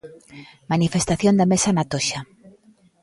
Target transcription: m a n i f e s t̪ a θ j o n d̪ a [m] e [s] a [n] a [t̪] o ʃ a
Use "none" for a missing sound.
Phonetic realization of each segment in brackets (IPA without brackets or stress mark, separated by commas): m, s, n, t̪